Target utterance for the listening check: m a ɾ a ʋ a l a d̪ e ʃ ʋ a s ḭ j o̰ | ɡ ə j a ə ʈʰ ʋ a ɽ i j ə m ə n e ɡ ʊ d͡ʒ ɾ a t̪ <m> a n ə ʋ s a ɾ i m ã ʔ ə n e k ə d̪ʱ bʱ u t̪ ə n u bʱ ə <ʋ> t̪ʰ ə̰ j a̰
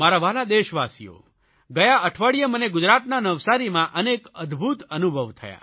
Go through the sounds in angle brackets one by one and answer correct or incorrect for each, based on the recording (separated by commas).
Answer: incorrect, correct